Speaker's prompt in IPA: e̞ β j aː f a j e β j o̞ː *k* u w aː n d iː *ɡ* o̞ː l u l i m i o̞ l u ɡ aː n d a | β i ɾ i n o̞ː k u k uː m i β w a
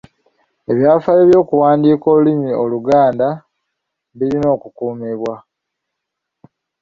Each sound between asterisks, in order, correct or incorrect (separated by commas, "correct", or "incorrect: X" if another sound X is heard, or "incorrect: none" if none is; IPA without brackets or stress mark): correct, incorrect: k